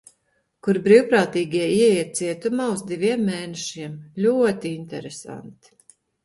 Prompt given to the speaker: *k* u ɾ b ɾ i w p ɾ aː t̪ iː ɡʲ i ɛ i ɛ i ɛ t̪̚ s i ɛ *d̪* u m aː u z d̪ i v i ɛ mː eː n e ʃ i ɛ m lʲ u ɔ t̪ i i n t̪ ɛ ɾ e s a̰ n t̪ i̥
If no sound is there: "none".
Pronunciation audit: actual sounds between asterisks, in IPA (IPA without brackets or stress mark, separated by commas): k, t̪